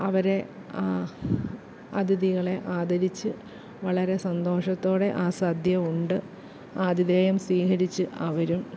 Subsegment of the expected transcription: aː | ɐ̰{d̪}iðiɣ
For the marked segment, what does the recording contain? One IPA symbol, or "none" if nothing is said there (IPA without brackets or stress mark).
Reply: d̪